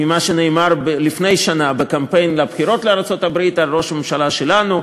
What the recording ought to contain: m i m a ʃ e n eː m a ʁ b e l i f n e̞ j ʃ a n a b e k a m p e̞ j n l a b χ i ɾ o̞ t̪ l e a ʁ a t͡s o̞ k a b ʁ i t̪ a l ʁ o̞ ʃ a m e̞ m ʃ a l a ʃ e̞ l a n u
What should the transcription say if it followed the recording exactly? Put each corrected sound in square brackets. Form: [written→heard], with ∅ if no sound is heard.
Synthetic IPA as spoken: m i m a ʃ e n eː m a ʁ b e l i f n e̞ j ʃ a n a b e k a m p e̞ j n l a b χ i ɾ o̞ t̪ l e a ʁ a t͡s o̞ [k→t] a b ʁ i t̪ a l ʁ o̞ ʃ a m e̞ m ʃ a l a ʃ e̞ l a n u